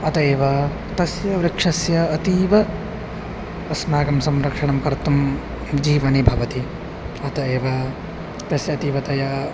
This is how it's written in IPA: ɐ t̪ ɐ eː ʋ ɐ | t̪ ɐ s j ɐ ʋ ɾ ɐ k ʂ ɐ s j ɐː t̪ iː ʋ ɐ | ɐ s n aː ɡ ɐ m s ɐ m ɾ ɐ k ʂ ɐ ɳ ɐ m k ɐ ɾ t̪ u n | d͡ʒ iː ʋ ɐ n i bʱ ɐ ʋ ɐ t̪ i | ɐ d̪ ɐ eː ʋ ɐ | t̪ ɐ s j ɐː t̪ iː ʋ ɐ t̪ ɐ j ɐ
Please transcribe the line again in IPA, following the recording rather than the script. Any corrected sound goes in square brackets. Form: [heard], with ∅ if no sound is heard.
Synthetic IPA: ɐ t̪ ɐ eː ʋ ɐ | t̪ ɐ s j ɐ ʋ ɾ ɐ k ʂ ɐ s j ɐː t̪ iː ʋ ɐ | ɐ s n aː ɡ ɐ m s ɐ m ɾ ɐ k ʂ ɐ ɳ ɐ m k ɐ ɾ t̪ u [m] | d͡ʒ iː ʋ ɐ n i bʱ ɐ ʋ ɐ t̪ i | ɐ [t̪] ɐ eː ʋ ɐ | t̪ ɐ s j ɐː t̪ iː ʋ ɐ t̪ ɐ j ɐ